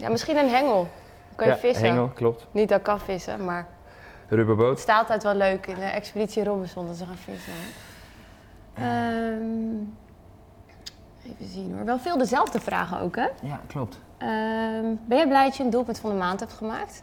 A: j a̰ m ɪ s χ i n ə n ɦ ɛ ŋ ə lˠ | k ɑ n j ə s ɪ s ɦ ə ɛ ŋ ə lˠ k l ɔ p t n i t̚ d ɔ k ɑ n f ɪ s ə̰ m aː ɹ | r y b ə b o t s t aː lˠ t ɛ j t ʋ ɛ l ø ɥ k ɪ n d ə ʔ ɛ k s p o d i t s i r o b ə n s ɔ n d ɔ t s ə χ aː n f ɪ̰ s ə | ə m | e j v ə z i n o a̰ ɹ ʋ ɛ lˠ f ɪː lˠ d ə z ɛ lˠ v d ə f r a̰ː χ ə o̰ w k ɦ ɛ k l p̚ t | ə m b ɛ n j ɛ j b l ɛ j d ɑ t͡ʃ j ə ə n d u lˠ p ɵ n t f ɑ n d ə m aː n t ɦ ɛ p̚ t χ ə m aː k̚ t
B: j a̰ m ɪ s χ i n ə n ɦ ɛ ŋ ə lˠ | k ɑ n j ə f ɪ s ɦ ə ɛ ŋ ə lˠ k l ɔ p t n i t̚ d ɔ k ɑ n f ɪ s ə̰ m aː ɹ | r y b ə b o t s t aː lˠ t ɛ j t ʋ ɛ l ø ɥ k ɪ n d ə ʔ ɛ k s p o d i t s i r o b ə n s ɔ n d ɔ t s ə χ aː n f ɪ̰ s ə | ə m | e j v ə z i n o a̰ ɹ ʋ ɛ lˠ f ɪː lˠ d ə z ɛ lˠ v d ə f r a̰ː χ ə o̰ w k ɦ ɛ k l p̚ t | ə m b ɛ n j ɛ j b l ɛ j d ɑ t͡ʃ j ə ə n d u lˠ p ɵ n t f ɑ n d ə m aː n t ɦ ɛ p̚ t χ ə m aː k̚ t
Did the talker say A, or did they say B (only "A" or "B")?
B